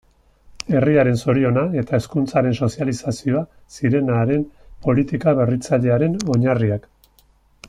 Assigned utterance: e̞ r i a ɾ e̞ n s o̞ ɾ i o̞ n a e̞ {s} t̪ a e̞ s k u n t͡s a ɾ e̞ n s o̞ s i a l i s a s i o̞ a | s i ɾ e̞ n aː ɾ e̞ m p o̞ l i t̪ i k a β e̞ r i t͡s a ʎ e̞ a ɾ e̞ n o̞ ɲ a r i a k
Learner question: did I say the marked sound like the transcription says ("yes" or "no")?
no